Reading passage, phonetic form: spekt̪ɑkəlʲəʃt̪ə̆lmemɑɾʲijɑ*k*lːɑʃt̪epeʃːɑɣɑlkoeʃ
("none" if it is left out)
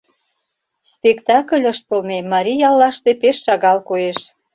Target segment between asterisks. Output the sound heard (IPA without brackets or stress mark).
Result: none